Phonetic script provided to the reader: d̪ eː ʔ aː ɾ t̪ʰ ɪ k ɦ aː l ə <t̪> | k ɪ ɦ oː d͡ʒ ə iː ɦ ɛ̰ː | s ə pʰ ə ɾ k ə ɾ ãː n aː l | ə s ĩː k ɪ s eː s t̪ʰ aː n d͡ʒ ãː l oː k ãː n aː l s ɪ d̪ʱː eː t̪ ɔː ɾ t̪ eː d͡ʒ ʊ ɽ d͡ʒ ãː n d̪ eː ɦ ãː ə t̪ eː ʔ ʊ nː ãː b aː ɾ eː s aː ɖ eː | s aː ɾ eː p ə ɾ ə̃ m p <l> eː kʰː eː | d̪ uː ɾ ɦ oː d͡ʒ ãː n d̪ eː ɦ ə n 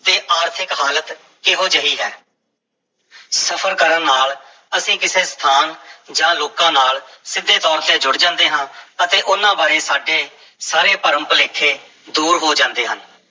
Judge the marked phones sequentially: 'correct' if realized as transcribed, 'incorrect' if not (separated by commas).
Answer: correct, correct